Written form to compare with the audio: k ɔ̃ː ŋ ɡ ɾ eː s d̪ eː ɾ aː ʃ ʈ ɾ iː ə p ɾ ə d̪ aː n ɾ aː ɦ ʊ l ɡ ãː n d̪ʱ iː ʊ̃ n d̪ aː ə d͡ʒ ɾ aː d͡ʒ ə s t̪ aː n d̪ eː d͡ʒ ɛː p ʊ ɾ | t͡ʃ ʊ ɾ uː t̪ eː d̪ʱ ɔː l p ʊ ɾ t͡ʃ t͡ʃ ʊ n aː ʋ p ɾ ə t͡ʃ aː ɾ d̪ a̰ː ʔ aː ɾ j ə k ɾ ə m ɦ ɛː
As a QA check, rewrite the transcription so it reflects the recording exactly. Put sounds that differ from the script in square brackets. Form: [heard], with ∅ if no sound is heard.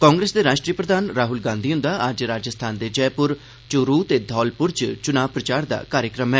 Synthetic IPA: k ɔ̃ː ŋ ɡ ɾ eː s d̪ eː ɾ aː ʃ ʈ ɾ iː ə p ɾ ə d̪ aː n ɾ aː ɦ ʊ l ɡ ãː n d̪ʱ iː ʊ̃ n d̪ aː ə d͡ʒ ɾ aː d͡ʒ ə s [t̪ʰ] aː n d̪ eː d͡ʒ ɛː p ʊ ɾ | t͡ʃ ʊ ɾ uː t̪ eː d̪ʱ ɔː l p ʊ ɾ t͡ʃ t͡ʃ ʊ n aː ʋ p ɾ ə t͡ʃ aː ɾ d̪ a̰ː [k] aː ɾ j ə k ɾ ə m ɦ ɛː

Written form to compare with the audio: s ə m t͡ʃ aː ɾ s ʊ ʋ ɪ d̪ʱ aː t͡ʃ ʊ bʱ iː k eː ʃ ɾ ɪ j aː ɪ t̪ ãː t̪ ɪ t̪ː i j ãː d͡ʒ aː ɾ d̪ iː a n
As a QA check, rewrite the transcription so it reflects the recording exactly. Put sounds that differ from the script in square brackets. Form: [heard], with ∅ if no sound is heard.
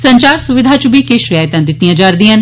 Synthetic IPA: s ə [ɲ] t͡ʃ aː ɾ s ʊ ʋ ɪ d̪ʱ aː t͡ʃ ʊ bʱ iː k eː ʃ ɾ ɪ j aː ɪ t̪ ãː [d̪] ɪ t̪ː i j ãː d͡ʒ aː ɾ d̪ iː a n

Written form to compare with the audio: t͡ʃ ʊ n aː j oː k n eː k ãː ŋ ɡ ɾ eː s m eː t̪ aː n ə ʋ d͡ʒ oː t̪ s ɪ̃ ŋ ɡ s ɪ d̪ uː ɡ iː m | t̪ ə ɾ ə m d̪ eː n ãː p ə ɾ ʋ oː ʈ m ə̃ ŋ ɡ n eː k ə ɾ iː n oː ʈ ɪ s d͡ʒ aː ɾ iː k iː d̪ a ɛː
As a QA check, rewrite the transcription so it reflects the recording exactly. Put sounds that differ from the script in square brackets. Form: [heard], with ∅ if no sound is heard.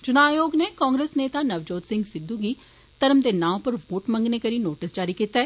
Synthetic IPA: t͡ʃ ʊ n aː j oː [ɡ] n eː k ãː ŋ ɡ ɾ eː s [n] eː t̪ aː n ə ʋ d͡ʒ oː t̪ s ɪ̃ ŋ ɡ s ɪ d̪ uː ɡ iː [∅] | t̪ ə ɾ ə m d̪ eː n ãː p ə ɾ ʋ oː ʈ m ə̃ ŋ ɡ n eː k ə ɾ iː n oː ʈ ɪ s d͡ʒ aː ɾ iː k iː [t̪] a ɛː

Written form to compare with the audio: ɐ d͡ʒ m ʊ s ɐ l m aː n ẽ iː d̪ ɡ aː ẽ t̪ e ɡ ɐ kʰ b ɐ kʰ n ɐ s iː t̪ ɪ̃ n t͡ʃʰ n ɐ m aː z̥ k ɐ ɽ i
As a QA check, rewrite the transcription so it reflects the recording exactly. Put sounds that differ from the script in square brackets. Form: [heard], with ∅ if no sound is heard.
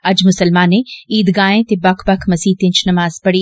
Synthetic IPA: ɐ d͡ʒ m ʊ s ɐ l m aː n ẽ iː d̪ ɡ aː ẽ t̪ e [b] ɐ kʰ b ɐ kʰ [m] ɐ s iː t̪ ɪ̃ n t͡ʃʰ n ɐ m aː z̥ [p] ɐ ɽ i

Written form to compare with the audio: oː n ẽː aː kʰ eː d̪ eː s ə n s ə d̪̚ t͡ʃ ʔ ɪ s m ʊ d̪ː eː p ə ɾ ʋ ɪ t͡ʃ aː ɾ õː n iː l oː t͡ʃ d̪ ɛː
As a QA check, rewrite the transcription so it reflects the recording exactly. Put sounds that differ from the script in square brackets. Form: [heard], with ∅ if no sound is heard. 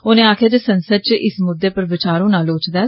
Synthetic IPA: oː n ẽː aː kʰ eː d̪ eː s ə n s ə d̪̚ t͡ʃ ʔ ɪ s m ʊ d̪ː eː p ə ɾ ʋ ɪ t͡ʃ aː ɾ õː n [aː] l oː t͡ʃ d̪ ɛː

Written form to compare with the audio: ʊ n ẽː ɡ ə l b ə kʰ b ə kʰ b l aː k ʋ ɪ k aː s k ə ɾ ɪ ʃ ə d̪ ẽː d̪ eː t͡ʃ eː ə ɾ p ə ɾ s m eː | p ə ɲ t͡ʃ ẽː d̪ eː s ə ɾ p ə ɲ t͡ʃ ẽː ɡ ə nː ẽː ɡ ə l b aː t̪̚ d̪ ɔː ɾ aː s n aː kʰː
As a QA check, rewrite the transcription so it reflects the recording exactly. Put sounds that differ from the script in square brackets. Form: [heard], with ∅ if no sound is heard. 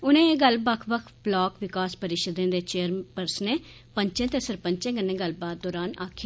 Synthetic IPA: ʊ n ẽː ɡ ə l b ə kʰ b ə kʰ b l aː k ʋ ɪ k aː s [p] ə ɾ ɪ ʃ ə d̪ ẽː d̪ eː t͡ʃ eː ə ɾ p ə ɾ s [n] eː | p ə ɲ t͡ʃ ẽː [t̪] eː s ə ɾ p ə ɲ t͡ʃ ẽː ɡ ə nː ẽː ɡ ə l b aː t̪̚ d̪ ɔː ɾ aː [∅] n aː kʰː

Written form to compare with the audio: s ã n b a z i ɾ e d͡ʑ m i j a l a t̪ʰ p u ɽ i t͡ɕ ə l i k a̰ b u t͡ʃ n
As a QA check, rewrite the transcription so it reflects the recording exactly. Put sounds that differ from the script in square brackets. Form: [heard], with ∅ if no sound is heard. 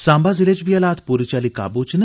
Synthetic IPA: s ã [m] b a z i [l] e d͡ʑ [b] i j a l a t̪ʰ p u [ɾ] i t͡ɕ [a] l i k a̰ b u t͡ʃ n

